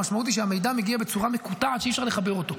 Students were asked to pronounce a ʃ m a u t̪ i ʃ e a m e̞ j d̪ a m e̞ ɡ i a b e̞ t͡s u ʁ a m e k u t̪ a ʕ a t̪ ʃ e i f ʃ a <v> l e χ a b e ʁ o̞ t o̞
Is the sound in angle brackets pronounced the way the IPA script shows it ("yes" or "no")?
no